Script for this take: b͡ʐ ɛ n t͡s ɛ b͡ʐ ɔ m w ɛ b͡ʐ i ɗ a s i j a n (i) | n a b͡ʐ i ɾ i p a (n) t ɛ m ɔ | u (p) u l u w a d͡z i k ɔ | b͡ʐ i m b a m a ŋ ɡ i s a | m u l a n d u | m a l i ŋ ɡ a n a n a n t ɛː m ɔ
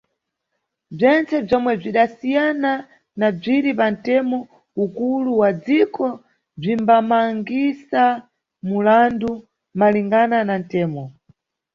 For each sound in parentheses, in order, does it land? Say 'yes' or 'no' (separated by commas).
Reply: no, yes, no